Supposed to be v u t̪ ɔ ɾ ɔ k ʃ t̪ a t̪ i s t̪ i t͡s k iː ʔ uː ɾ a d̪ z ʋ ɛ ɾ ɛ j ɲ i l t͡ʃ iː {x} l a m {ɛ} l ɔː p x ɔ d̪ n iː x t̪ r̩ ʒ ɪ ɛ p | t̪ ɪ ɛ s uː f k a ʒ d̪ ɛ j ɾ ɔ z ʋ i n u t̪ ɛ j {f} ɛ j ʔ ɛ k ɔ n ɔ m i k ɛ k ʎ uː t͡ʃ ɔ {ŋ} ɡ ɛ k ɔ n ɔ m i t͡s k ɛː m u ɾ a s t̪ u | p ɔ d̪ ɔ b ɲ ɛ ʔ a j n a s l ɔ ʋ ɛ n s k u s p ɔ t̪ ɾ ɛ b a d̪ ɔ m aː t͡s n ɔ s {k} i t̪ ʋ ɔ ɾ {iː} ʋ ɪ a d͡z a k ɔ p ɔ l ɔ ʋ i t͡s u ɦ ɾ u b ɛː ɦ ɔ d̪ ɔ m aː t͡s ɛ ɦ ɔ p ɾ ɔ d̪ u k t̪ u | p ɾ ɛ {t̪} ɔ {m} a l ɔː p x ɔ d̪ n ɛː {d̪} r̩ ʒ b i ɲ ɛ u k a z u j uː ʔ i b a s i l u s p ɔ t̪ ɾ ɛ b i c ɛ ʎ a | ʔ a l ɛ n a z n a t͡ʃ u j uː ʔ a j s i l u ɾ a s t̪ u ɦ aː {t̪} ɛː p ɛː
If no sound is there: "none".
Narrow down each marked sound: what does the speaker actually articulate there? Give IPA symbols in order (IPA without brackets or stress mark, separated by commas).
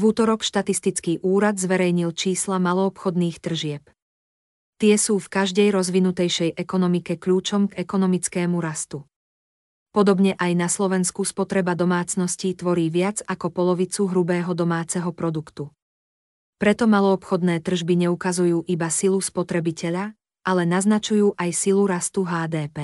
s, a, ʃ, m, c, iː, t̪, m, t̪, d̪